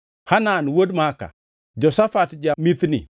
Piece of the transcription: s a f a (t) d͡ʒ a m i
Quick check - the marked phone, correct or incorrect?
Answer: correct